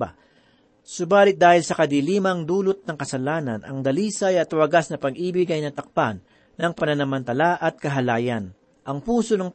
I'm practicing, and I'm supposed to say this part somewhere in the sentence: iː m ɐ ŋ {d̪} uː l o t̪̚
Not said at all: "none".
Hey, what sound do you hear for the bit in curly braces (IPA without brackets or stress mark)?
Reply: d̪